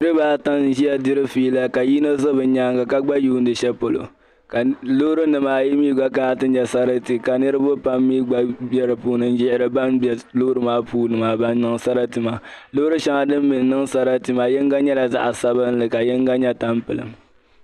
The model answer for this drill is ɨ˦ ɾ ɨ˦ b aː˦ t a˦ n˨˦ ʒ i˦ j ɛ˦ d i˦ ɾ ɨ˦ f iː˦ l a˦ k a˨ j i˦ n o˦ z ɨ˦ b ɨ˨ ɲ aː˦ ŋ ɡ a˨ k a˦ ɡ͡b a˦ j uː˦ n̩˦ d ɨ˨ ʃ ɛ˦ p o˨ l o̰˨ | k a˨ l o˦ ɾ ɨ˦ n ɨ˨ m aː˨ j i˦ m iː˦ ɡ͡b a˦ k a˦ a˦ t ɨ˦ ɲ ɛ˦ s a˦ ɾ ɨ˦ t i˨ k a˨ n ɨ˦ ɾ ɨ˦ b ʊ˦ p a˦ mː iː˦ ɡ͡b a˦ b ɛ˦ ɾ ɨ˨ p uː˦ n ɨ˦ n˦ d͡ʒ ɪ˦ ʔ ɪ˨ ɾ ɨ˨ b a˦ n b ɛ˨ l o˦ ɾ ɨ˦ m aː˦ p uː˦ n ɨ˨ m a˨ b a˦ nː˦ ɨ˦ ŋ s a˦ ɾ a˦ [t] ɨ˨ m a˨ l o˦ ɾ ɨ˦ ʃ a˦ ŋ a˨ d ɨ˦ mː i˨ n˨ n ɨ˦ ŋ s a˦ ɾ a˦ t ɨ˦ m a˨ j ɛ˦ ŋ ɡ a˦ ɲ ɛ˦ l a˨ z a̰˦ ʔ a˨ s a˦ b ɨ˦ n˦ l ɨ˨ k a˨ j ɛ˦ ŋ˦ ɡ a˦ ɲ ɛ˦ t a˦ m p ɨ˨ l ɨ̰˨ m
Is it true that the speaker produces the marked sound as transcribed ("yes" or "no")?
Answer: yes